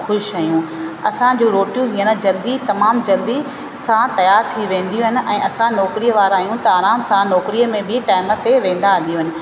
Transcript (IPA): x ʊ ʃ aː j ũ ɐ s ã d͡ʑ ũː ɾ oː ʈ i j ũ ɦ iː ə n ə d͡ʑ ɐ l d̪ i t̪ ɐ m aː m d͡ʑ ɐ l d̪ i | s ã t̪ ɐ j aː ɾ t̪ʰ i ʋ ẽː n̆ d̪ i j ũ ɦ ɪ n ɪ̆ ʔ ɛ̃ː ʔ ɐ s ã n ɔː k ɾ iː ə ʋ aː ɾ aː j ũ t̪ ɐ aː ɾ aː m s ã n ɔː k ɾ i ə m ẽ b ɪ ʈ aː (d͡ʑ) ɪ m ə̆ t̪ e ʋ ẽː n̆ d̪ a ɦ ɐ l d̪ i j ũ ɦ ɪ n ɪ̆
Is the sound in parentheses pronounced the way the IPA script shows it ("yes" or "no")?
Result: no